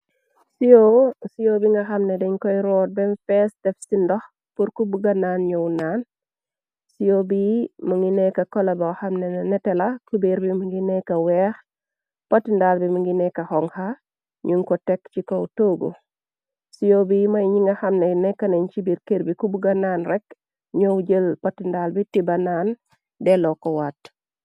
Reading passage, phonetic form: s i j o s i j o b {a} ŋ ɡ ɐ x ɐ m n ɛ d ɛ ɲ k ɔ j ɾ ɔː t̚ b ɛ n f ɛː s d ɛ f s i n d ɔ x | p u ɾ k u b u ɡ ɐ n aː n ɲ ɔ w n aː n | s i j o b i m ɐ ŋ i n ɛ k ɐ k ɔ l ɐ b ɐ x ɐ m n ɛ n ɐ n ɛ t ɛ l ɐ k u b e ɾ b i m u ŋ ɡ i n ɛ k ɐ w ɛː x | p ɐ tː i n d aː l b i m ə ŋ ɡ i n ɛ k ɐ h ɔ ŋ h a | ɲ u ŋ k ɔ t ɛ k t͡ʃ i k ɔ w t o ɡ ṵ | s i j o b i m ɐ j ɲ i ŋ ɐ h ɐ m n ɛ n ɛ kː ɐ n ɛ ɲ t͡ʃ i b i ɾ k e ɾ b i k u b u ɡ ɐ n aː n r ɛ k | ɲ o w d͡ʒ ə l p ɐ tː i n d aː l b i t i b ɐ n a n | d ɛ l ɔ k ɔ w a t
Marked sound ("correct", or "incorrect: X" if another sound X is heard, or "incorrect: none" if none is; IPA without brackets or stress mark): incorrect: i